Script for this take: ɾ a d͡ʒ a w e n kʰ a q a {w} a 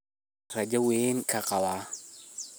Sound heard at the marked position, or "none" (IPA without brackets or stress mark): w